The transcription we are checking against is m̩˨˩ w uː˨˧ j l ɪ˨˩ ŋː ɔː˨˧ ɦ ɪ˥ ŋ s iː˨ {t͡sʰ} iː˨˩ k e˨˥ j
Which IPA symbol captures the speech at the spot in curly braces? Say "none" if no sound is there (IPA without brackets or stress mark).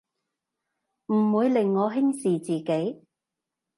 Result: t͡s